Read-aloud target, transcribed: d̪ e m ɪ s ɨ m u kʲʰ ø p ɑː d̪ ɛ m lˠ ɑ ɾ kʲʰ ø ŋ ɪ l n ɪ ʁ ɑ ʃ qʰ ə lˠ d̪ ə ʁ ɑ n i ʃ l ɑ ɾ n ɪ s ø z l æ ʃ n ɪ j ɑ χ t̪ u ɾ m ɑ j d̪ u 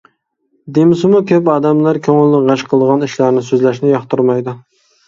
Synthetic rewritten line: d̪ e m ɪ s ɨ m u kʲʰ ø p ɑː d̪ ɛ m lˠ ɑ ɾ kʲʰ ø ŋ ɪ l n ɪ ʁ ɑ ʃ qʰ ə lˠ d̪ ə ʁ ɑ n i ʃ l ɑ ɾ n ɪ s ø z l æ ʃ n ɪ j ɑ χ t̪ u ɾ m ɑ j d̪ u